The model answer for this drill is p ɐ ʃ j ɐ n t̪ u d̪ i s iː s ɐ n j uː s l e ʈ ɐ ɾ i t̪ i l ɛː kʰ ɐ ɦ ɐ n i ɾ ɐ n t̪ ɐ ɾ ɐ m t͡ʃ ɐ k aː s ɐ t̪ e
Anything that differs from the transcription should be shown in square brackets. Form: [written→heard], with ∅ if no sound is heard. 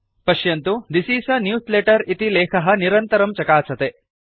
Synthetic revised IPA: p ɐ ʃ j ɐ n t̪ u d̪ i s iː s ɐ n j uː s l e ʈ ɐ ɾ i t̪ i l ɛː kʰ ɐ ɦ ɐ n i ɾ ɐ n t̪ ɐ ɾ ɐ m t͡ʃ ɐ k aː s ɐ t̪ e